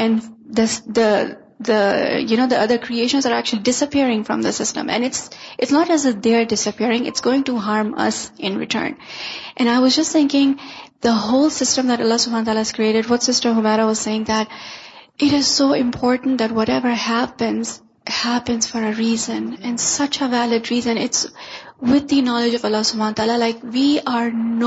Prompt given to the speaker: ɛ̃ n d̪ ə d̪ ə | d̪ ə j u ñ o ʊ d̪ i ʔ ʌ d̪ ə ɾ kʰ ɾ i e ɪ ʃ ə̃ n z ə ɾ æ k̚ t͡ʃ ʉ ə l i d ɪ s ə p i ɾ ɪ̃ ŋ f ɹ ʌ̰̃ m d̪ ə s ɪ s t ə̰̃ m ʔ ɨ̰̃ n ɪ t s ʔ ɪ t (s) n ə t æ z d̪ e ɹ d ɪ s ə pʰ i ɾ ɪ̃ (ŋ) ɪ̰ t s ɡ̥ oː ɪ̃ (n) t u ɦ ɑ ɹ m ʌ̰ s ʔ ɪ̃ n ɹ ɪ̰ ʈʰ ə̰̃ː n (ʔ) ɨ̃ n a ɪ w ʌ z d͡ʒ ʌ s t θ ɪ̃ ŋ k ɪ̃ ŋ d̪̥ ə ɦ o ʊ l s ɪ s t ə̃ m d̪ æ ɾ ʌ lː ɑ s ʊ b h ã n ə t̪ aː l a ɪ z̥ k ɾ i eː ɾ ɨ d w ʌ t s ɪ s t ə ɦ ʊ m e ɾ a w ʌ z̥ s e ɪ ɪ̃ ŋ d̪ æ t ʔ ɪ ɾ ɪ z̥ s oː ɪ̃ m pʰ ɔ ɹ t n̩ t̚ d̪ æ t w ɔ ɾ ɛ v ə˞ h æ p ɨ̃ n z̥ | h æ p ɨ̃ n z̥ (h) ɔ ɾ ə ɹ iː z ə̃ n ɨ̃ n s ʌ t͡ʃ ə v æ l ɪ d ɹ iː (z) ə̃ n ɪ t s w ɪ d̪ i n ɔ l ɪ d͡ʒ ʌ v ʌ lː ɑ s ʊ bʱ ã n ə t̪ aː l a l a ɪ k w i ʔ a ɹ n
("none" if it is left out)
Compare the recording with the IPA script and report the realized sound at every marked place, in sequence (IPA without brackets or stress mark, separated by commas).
s, ŋ, ŋ, ʔ, f, z